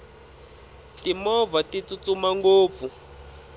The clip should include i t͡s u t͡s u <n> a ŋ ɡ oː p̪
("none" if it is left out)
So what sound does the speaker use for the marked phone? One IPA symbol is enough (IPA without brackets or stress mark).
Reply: m